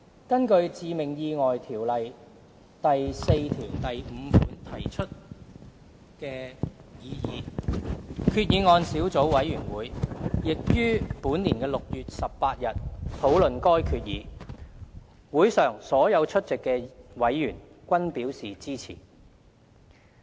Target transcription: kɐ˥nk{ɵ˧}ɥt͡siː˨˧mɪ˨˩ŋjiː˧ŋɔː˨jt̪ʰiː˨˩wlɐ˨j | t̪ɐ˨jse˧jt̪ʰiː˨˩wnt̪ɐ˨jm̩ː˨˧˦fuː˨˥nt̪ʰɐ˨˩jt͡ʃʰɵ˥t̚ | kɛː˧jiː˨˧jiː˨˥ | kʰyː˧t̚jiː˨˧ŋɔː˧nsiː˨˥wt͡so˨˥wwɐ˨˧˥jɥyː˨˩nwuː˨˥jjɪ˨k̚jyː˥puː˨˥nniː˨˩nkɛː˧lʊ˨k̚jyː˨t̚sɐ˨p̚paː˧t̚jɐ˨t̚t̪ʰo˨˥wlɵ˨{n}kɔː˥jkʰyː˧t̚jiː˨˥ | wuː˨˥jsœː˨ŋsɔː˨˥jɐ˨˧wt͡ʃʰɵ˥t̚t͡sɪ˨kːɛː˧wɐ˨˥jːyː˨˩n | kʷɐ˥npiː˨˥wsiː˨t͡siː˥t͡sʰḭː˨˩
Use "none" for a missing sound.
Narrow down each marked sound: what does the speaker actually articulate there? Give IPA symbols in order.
ɵ˧, n

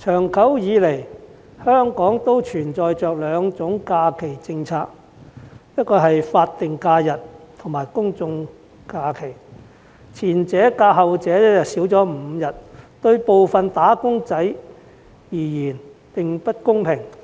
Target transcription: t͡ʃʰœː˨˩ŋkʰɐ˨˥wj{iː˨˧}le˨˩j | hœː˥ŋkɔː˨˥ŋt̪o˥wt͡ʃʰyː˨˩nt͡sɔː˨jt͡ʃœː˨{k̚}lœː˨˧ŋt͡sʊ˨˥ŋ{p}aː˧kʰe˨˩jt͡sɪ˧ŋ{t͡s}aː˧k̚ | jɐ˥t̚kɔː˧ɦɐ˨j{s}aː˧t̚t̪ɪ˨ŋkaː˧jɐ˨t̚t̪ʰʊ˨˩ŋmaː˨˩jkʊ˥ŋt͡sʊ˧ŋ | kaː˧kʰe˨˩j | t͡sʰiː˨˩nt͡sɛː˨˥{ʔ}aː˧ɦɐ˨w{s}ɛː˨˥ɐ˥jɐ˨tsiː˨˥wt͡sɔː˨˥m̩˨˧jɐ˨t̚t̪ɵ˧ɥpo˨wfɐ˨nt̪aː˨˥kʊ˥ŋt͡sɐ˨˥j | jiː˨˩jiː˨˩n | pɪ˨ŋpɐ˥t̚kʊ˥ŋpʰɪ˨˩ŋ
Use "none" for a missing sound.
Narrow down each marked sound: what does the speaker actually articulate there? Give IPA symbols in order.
iː˨˧, k̚, k, t͡sʰ, f, k, t͡s

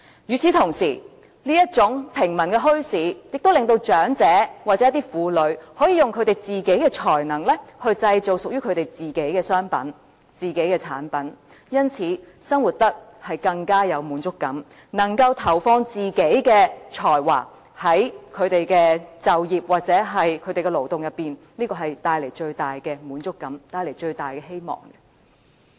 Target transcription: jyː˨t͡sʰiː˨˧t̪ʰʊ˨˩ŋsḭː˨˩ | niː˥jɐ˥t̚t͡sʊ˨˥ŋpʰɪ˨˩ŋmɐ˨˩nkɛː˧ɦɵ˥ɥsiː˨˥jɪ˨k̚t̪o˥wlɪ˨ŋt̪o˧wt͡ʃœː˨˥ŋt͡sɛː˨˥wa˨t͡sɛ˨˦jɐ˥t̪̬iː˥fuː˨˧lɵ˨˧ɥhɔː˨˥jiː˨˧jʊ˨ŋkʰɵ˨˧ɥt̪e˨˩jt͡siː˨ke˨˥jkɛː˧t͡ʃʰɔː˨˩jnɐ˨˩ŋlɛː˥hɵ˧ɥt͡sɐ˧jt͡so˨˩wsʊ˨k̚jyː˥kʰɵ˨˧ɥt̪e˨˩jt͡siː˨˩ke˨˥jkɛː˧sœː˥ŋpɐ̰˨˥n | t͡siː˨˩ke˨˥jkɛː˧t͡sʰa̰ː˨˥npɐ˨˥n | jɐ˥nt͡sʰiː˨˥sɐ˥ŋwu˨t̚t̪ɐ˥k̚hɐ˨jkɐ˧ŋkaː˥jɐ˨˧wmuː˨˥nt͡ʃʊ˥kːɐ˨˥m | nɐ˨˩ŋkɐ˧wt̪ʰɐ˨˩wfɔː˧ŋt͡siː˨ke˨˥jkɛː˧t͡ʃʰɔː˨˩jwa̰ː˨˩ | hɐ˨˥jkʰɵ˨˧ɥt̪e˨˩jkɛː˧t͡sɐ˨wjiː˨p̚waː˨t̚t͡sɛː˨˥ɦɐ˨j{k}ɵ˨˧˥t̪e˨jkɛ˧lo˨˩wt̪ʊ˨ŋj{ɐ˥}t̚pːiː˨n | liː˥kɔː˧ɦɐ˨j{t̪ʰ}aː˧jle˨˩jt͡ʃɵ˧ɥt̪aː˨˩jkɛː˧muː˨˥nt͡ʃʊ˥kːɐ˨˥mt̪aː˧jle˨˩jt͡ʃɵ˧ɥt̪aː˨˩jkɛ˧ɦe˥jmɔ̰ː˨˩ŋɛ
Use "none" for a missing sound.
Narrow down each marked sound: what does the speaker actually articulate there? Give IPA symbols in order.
kʰ, ɐ˨, t̪

